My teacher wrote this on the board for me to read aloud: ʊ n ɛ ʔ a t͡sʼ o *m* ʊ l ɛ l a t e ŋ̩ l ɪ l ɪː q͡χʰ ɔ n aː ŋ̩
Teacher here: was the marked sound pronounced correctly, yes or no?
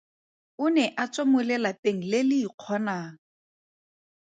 yes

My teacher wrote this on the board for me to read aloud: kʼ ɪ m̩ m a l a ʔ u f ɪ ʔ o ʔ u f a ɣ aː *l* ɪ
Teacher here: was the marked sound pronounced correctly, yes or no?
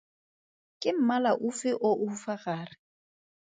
no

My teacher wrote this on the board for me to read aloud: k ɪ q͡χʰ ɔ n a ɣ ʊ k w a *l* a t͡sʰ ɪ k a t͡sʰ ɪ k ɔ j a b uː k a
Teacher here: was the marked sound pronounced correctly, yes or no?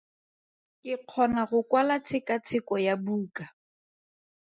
yes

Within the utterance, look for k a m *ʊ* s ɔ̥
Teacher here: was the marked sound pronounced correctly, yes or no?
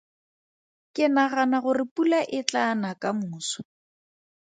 no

